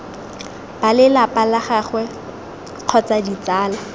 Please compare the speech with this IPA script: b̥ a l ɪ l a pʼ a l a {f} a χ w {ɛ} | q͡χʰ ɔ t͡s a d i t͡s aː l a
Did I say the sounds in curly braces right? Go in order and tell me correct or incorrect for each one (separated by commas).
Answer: incorrect, correct